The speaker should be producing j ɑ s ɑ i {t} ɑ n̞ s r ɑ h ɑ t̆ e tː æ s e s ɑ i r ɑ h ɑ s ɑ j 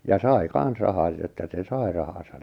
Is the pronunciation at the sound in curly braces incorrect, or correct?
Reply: incorrect: k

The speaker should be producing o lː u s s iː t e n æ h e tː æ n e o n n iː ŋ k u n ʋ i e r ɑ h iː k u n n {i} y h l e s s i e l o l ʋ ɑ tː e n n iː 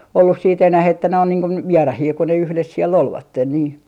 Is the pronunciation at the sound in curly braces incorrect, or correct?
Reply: incorrect: e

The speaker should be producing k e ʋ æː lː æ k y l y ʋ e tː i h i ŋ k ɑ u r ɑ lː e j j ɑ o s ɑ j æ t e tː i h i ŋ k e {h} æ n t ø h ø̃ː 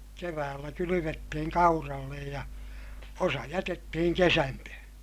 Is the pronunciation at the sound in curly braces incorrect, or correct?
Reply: incorrect: s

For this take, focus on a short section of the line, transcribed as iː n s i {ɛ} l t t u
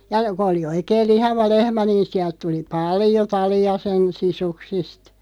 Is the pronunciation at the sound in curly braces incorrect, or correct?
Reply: incorrect: æ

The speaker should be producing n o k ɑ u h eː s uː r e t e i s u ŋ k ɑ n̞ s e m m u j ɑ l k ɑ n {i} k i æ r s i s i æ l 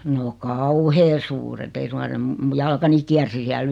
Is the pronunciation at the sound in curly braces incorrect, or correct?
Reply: correct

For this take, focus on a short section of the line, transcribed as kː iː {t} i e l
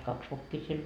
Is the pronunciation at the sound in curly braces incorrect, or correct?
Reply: incorrect: s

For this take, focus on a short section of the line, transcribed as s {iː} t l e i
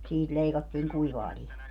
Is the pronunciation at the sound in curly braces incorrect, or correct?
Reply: correct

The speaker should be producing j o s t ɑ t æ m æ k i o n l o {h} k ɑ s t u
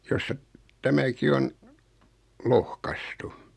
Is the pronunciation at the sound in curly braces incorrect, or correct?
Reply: correct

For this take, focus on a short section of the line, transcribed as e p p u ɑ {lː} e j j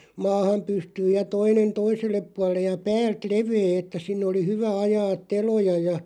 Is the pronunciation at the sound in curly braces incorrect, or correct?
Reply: correct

